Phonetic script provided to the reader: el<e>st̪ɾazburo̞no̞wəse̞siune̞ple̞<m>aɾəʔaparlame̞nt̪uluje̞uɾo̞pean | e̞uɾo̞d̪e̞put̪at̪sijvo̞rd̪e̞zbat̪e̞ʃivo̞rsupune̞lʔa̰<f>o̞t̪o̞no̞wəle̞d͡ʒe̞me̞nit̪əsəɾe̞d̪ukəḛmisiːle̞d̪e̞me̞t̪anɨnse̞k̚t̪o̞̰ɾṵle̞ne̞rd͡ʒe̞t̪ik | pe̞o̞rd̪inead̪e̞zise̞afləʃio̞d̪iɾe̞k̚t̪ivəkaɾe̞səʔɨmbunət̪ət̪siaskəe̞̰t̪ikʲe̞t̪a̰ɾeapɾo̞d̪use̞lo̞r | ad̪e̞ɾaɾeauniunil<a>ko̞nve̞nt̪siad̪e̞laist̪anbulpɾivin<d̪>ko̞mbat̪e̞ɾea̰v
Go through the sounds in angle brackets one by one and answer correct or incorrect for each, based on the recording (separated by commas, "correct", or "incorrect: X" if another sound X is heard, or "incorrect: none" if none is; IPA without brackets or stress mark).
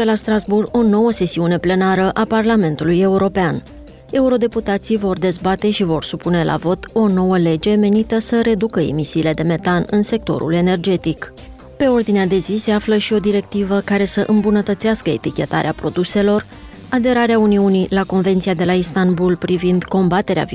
incorrect: a, incorrect: n, incorrect: v, correct, correct